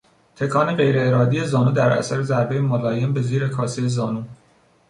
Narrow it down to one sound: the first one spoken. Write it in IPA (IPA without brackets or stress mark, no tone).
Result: t̪ʰ